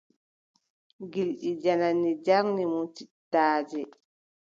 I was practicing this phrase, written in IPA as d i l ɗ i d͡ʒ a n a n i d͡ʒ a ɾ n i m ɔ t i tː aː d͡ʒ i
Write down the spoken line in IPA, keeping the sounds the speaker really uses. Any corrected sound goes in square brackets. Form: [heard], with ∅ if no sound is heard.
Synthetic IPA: [ɡ] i l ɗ i d͡ʒ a n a n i d͡ʒ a ɾ n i m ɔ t i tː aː d͡ʒ [ɛ]